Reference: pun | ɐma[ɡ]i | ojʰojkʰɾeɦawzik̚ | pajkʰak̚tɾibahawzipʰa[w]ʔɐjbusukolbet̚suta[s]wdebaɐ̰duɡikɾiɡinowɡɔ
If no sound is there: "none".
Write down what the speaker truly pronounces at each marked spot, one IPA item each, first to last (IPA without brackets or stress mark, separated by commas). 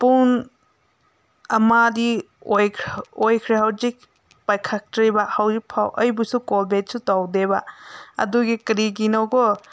d, w, none